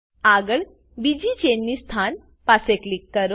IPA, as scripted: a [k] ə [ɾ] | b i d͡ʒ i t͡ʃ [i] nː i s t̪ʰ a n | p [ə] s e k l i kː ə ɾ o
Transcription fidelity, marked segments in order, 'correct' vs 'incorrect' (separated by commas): incorrect, incorrect, incorrect, incorrect